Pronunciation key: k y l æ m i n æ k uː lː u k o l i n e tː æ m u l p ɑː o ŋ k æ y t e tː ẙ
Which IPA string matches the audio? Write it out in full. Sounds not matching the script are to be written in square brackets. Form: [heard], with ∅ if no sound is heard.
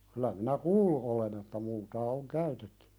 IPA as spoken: k y l æ m i n æ k uː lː u [ʔ] o l [e] n e tː æ m u l [t] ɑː o ŋ k æ y t e tː ẙ

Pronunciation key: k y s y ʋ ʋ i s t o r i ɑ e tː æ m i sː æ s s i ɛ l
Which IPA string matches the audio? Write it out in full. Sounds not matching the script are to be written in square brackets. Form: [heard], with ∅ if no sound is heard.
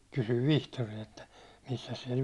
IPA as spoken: k y s y ʋ ʋ i [h] t o r i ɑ e tː æ m i sː æ s s i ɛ l

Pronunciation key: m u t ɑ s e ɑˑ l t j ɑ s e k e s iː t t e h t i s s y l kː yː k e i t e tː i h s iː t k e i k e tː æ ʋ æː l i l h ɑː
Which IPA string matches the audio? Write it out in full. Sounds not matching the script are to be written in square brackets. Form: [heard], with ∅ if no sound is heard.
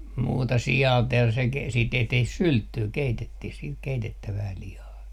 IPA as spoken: m [uː] t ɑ s [i] ɑˑ l t j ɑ s e k e s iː t t e h t i [h] s y l [tː] yː k e i t e tː i h s iː t k e i [t] e tː æ ʋ æː l i [∅] h ɑː

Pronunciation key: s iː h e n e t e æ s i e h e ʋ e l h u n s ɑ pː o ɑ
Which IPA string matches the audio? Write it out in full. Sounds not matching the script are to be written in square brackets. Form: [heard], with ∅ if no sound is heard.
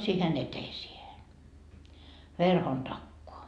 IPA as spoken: s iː h e n e t e [i] s i e h e ʋ e [r] h [o] n [t] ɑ [kː] o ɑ

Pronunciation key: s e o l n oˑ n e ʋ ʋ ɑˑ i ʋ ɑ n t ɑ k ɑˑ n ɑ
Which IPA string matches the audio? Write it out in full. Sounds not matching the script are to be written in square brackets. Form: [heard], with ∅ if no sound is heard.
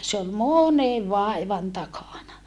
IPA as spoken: s e o l [m] oˑ n e ʋ ʋ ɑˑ i ʋ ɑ n t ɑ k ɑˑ n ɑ

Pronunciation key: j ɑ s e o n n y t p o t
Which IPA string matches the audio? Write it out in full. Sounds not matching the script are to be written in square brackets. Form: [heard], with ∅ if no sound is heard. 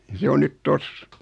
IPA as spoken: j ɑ s e o n n y t [t] o [s]

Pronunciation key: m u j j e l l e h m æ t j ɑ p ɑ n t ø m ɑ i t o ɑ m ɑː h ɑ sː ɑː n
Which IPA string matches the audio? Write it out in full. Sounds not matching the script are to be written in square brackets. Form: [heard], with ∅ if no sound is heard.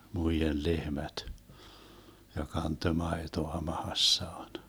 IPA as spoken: m u [i] j e l l e h m æ t j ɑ [k] ɑ n t ø m ɑ [e] t o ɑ m [ɑ] h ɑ sː ɑː n

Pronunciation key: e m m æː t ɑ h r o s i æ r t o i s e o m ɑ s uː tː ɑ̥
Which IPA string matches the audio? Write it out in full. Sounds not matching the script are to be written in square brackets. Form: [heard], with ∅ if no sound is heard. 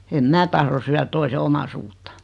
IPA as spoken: e m m æː t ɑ h r o s [y] æ r t o i s e o m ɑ s uː tː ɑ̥

